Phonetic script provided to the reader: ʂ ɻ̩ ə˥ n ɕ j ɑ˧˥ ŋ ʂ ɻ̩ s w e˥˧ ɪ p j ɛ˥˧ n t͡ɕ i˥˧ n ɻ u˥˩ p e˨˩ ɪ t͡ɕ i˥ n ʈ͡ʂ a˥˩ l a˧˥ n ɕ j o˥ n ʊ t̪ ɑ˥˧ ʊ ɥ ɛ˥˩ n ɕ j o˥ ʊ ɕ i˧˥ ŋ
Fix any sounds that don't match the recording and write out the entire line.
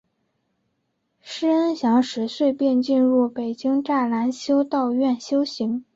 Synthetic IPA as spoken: ʂ ɻ̩ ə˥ n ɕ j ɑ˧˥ ŋ ʂ ɻ̩ s w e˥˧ ɪ p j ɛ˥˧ n t͡ɕ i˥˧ n ɻ u˥˩ p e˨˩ ɪ t͡ɕ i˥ ŋ ʈ͡ʂ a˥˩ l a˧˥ n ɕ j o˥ ʊ t̪ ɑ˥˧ ʊ ɥ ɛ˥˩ n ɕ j o˥ ʊ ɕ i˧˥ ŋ